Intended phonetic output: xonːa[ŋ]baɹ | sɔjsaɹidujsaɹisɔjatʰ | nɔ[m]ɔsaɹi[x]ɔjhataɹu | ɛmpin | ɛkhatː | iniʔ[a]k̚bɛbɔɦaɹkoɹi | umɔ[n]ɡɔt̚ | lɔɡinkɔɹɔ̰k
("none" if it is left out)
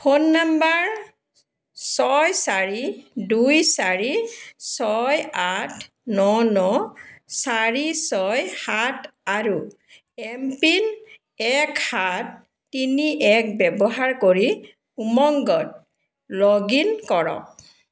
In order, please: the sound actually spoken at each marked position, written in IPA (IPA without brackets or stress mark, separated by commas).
m, n, s, ɛ, ŋ